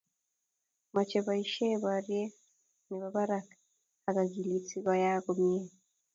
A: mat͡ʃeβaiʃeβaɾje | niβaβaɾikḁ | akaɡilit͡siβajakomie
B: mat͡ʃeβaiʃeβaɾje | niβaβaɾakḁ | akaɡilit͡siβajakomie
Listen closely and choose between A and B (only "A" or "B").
B